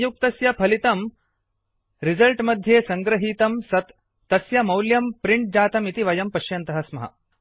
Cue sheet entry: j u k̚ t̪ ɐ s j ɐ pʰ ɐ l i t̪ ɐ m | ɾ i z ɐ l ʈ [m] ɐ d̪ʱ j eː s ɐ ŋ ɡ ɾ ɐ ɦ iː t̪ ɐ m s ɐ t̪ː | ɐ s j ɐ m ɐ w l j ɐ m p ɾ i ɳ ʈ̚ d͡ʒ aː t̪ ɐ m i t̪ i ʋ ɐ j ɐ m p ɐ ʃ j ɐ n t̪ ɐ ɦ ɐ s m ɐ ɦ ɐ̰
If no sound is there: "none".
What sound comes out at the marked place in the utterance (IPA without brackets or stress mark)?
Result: m